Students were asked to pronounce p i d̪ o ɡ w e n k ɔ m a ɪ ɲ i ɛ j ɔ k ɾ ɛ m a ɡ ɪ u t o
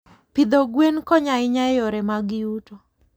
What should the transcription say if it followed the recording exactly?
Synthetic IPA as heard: p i d̪ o ɡ w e n k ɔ ɲ a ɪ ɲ a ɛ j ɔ ɾ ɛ m a ɡ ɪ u t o